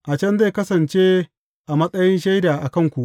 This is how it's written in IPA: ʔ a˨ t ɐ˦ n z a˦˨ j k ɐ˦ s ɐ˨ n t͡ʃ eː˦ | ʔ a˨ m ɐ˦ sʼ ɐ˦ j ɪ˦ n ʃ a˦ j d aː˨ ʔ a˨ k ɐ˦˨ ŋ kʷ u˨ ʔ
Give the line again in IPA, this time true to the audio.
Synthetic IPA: ʔ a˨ t͡ʃ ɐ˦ n z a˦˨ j k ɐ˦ s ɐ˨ n t͡ʃ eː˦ | ʔ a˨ m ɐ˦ sʼ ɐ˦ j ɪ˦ n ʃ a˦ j d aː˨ ʔ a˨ k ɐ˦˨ ŋ kʷ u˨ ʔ